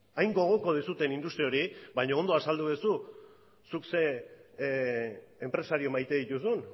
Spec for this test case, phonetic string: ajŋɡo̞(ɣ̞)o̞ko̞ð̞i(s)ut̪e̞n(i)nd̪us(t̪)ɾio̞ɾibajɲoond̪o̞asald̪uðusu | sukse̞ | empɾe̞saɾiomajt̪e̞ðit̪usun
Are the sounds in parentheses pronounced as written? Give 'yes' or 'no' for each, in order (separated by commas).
yes, yes, yes, yes